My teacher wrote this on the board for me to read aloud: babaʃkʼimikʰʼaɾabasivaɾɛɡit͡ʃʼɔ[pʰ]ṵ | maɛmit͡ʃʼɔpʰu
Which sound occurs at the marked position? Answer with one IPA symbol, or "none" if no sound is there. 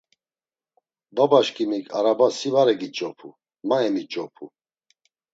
pʰ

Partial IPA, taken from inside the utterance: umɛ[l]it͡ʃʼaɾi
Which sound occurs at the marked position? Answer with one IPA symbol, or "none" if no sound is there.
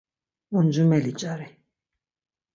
l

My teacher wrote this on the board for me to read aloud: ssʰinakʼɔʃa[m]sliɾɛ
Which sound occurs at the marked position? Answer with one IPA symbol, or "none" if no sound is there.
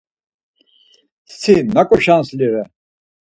n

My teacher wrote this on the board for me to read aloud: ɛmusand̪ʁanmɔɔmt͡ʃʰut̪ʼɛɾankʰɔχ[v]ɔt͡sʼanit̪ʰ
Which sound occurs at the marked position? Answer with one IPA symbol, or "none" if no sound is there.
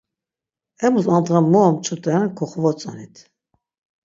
v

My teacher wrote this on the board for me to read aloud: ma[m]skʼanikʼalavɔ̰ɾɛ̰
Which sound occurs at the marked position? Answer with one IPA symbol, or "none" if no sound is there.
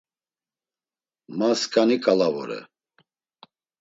none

